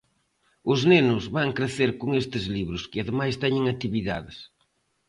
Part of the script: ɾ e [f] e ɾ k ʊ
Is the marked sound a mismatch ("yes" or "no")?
yes